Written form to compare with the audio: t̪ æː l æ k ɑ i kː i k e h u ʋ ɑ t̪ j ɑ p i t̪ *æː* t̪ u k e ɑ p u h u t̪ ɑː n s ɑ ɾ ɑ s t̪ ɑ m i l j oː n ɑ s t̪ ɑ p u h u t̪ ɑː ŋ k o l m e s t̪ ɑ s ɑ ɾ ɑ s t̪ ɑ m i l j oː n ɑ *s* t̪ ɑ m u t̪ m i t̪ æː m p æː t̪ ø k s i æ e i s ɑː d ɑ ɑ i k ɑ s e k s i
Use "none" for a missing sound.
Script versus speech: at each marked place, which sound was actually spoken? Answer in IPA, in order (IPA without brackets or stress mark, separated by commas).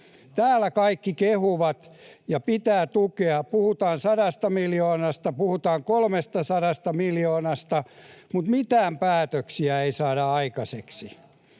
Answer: æː, s